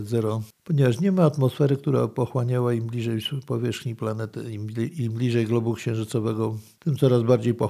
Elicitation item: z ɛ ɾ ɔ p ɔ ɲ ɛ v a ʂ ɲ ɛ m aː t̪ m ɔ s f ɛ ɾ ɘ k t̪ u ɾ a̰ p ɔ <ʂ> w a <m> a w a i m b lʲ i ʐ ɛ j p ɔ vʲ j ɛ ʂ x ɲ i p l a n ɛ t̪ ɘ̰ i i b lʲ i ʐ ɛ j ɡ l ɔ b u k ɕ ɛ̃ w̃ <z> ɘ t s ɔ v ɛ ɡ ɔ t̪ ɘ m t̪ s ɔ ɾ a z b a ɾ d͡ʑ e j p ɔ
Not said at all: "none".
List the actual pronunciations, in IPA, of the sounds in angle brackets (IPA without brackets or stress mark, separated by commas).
x, ɲ, ʐ